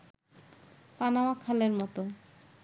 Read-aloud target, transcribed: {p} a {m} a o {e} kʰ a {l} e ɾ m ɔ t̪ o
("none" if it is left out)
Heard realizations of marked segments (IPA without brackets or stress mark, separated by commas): p, n, a, l